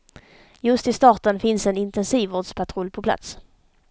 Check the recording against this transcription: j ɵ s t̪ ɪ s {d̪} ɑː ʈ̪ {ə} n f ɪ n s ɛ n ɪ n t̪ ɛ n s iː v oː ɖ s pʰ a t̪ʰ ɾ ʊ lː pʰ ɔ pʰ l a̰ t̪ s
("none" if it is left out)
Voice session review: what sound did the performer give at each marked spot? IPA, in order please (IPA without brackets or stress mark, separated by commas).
t̪, ə